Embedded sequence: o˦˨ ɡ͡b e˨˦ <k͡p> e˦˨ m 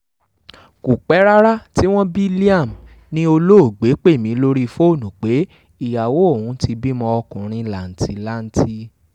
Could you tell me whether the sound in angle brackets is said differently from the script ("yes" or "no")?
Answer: no